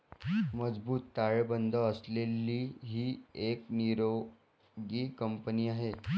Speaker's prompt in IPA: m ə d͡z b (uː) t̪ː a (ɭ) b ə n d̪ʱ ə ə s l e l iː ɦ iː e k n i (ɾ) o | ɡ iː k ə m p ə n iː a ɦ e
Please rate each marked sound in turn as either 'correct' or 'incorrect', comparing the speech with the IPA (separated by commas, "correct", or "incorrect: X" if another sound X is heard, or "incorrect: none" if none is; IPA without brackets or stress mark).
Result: correct, correct, correct